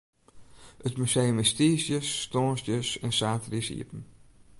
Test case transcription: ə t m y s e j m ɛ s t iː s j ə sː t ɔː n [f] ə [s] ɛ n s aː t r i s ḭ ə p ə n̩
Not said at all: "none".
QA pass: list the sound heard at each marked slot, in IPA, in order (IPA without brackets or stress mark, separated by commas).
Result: s, s